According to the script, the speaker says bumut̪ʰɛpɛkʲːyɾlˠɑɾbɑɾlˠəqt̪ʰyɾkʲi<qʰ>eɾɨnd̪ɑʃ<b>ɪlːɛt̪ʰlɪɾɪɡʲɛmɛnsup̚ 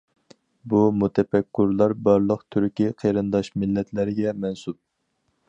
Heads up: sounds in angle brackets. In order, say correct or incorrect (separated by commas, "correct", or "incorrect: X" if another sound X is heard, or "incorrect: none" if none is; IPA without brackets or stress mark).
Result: correct, incorrect: m